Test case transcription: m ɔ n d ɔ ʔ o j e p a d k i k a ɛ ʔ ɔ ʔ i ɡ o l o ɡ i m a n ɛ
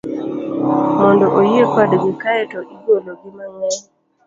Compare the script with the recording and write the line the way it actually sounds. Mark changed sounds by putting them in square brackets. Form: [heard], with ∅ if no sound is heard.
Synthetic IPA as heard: m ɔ n d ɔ ʔ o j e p a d [ɡ] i k a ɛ [t] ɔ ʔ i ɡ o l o ɡ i m a [ŋ] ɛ